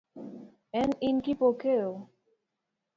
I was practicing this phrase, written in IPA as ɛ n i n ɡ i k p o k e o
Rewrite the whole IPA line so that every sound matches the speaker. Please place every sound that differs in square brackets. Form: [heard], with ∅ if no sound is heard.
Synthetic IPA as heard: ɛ n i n [k] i [∅] p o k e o